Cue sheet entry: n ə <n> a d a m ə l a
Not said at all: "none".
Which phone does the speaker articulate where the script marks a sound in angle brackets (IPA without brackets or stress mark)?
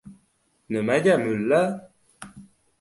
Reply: m